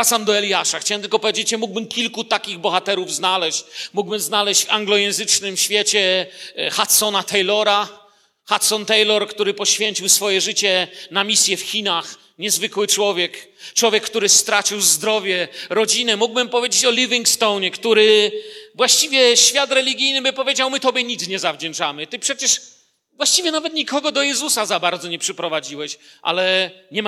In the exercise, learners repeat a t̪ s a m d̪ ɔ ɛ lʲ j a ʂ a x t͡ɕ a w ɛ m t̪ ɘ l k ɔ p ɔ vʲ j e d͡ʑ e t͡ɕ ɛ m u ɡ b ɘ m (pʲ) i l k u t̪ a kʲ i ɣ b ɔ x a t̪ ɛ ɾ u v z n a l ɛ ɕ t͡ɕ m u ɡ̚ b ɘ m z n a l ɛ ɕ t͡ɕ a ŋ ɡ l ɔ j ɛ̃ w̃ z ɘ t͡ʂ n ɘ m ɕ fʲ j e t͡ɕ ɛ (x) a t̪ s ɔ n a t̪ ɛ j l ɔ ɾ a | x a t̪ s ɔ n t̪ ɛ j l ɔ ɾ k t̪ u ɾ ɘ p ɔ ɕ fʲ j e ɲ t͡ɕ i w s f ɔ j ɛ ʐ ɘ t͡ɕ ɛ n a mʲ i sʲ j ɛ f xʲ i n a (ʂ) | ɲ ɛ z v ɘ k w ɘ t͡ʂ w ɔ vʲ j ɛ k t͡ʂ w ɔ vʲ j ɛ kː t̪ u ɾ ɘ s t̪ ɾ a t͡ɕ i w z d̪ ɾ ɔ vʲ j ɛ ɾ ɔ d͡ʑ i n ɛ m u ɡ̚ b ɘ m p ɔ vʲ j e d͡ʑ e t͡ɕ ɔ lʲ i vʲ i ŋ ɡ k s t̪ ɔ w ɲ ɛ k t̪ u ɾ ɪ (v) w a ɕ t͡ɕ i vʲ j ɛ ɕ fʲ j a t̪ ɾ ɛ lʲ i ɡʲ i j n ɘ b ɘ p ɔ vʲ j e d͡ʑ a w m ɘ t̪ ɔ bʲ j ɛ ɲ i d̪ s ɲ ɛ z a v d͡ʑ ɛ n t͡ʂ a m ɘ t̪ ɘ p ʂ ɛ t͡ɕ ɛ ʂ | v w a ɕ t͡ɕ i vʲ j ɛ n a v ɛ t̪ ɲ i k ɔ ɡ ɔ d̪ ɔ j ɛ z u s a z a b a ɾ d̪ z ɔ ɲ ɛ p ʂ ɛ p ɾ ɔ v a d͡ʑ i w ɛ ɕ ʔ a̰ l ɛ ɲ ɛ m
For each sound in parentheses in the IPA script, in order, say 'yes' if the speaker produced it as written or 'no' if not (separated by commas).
no, yes, no, yes